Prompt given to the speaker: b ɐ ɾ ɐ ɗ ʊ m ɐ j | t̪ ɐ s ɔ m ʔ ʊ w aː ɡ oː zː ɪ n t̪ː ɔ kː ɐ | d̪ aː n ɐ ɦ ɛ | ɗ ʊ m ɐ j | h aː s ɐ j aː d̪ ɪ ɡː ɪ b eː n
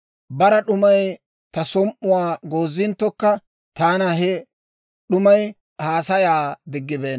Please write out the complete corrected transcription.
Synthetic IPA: b ɐ ɾ ɐ ɗ ʊ m ɐ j | t̪ ɐ s ɔ m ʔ ʊ w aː ɡ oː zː ɪ n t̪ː ɔ kː ɐ | t̪ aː n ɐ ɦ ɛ | ɗ ʊ m ɐ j | h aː s ɐ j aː d̪ ɪ ɡː ɪ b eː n